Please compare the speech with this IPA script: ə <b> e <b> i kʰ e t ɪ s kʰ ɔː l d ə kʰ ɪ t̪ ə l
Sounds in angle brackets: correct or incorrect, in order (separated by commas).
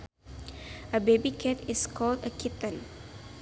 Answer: correct, correct